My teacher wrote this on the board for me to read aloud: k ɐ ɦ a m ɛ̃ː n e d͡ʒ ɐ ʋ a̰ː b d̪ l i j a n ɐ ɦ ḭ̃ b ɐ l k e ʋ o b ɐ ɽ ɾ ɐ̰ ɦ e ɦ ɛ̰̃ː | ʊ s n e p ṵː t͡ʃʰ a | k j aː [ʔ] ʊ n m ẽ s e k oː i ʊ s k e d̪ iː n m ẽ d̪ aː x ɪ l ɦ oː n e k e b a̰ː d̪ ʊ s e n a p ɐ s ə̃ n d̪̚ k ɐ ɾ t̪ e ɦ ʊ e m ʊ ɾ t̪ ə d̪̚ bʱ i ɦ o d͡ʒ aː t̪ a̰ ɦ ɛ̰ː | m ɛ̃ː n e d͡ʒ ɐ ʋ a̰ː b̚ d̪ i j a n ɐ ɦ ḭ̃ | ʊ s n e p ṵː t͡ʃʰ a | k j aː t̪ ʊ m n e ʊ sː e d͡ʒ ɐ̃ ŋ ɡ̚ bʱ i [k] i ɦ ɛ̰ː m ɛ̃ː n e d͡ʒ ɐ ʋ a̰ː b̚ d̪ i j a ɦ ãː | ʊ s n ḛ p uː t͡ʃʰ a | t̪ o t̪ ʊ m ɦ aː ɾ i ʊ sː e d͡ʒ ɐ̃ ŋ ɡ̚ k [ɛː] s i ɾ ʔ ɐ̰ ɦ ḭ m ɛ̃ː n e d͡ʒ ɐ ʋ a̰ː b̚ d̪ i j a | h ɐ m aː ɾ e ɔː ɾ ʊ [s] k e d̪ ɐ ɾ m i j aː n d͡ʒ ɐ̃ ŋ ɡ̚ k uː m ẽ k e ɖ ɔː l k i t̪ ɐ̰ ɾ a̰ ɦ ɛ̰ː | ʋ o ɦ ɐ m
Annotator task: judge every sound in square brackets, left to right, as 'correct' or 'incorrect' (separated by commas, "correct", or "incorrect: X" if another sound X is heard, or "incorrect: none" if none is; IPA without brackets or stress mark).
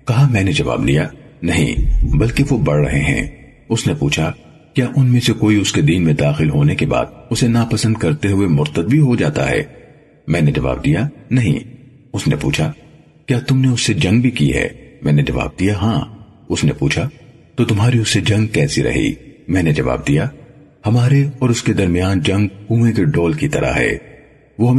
correct, correct, correct, correct